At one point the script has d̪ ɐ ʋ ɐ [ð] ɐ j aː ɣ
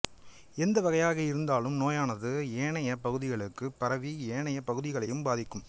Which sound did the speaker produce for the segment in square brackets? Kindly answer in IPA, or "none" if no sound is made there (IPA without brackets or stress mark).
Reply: ɣ